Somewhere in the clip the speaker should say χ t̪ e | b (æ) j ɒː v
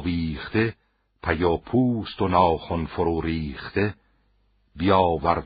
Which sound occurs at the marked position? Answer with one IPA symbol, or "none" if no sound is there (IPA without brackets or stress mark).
i